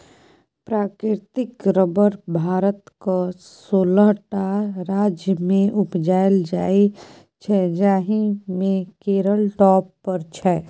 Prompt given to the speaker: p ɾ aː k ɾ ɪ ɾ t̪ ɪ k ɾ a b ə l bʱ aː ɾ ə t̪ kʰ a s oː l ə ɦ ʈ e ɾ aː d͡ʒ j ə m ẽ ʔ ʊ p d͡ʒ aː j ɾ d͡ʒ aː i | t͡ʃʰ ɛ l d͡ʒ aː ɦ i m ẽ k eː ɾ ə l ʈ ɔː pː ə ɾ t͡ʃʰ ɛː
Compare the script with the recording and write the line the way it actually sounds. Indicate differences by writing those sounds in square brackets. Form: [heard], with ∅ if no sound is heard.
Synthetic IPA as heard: p ɾ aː k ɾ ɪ ɾ t̪ ɪ k ɾ [ə] b ə [ɾ] bʱ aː ɾ ə t̪ [k] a s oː l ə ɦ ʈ [a] ɾ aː d͡ʒ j ə m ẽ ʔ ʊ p d͡ʒ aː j [l] d͡ʒ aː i | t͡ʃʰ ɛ [∅] d͡ʒ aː ɦ i m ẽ k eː ɾ ə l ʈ ɔː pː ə ɾ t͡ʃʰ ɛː